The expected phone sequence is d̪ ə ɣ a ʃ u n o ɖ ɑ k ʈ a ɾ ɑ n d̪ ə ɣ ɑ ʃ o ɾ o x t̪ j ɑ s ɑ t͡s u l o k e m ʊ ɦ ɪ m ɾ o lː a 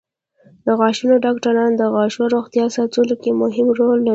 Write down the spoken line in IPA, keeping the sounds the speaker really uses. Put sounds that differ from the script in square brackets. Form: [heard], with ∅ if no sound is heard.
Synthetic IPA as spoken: d̪ ə ɣ [ɑ] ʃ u n o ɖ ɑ k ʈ a ɾ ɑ n d̪ ə ɣ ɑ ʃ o ɾ o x t̪ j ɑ s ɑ t͡s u l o k e m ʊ ɦ ɪ m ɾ o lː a